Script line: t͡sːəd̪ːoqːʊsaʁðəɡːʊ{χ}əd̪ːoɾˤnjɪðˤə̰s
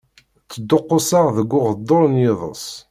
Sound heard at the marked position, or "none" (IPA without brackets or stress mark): ʁ